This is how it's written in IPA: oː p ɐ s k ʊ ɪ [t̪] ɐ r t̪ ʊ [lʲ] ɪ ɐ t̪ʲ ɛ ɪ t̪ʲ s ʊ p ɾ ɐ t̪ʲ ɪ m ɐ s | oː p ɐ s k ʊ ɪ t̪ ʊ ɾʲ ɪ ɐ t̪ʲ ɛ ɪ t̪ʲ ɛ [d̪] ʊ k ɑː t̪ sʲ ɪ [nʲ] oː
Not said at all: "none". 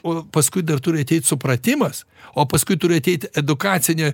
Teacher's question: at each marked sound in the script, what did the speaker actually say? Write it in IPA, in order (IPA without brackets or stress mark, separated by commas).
d̪, ɾʲ, d̪, nʲ